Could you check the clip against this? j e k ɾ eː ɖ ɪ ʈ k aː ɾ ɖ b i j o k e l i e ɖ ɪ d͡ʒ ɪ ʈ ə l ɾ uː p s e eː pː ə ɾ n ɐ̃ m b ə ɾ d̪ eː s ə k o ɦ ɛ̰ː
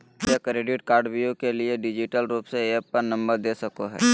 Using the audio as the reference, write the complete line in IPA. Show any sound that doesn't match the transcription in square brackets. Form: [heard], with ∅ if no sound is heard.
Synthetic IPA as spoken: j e k ɾ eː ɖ ɪ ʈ k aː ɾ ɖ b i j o k e l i e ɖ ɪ d͡ʒ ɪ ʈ ə l ɾ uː p s e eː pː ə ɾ n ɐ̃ m b ə ɾ d̪ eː s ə k o ɦ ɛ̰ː